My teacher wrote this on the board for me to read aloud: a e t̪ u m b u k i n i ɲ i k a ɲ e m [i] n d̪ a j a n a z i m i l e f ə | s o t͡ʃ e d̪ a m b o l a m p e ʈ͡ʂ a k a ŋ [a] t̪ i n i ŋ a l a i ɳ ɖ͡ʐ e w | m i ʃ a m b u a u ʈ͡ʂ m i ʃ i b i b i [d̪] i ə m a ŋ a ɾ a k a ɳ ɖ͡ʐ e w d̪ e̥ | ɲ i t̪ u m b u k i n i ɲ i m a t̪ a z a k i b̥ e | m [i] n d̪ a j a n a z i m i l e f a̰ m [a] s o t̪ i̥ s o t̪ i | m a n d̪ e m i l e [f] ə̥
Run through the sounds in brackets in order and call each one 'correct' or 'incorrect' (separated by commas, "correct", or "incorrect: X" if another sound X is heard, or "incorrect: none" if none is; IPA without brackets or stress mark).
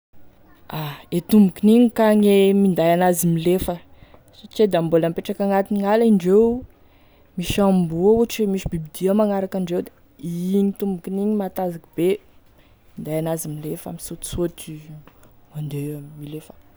correct, correct, correct, correct, incorrect: i, correct